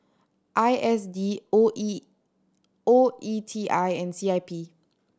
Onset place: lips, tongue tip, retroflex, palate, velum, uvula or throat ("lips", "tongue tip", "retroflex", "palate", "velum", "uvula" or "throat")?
throat